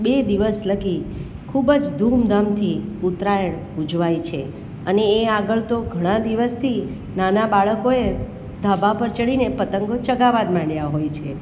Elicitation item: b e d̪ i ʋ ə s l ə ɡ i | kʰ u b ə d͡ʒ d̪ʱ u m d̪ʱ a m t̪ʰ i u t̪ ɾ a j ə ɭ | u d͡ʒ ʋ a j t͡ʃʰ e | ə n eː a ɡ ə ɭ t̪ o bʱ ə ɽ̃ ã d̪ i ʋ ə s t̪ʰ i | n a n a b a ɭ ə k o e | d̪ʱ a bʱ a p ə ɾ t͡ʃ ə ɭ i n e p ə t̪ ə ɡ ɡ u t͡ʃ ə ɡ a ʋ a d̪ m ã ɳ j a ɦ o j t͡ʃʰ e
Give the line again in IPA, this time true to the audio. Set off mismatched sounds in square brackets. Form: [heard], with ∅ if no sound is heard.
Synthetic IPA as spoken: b e d̪ i ʋ ə s l ə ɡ i | kʰ u b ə d͡ʒ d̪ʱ u m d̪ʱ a m t̪ʰ i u t̪ ɾ a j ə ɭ | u d͡ʒ ʋ a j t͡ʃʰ e | ə n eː a ɡ ə ɭ t̪ o [ɡʱ] ə ɽ̃ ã d̪ i ʋ ə s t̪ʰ i | n a n a b a ɭ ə k o e | d̪ʱ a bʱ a p ə ɾ t͡ʃ ə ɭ i n e p ə t̪ ə [ŋ] ɡ [o] t͡ʃ ə ɡ a ʋ a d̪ m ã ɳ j a ɦ o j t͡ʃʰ e